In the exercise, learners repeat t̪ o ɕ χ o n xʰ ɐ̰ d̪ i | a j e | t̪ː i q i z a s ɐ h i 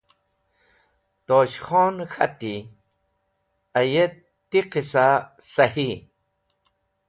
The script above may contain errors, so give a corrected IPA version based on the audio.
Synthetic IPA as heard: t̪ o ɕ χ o n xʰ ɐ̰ t̪ i | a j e | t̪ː i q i s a s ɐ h i